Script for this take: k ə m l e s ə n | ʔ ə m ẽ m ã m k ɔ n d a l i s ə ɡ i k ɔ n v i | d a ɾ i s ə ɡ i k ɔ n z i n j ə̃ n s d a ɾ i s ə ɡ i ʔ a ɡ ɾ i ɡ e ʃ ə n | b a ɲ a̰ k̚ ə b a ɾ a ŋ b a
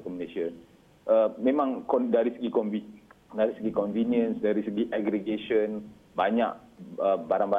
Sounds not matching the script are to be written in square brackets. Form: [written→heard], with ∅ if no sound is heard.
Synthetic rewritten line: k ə m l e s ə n | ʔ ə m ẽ m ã [m→ŋ] k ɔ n d a [l→ɾ] i s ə ɡ i k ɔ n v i | d a ɾ i s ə ɡ i k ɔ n [z→v] i n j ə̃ n s d a ɾ i s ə ɡ i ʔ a ɡ ɾ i ɡ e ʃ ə n | b a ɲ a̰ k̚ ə b a ɾ a ŋ b a